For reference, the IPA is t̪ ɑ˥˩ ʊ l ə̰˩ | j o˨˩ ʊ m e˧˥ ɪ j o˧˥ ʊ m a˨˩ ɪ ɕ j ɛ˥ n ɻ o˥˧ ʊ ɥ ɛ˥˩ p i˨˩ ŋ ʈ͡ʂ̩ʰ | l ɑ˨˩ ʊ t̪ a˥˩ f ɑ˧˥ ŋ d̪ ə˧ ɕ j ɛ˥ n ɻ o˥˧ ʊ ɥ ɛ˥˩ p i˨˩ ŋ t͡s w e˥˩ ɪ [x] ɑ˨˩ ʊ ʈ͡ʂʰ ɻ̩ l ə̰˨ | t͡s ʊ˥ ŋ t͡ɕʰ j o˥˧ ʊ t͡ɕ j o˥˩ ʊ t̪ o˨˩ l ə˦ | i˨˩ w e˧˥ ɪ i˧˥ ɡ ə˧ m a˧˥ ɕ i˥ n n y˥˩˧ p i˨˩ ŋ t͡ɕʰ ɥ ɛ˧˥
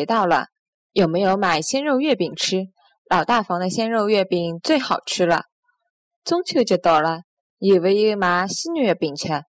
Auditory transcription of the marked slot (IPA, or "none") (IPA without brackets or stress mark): x